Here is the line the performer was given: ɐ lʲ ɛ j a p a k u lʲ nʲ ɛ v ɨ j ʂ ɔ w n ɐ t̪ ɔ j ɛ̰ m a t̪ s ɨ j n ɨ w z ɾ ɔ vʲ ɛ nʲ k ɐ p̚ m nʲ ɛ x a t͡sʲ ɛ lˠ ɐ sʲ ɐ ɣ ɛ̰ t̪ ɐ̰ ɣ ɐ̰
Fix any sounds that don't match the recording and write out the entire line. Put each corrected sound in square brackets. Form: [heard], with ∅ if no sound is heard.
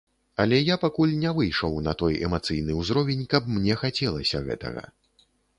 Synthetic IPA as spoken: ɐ lʲ ɛ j a p a k u lʲ nʲ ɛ v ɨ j ʂ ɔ w n ɐ t̪ ɔ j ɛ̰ m a t̪ s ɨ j n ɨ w z ɾ ɔ vʲ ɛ nʲ k ɐ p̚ m nʲ ɛ x a t͡sʲ ɛ lˠ ɐ sʲ ɐ ɣ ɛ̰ t̪ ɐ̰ ɣ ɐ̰